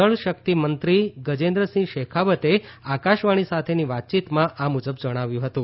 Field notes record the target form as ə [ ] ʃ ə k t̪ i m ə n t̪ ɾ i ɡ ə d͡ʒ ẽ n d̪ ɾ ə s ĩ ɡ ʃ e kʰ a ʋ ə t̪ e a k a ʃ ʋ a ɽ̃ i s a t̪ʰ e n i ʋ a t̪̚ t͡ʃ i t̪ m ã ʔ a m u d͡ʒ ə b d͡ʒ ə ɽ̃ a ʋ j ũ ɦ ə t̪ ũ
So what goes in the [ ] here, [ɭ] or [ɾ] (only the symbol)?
ɭ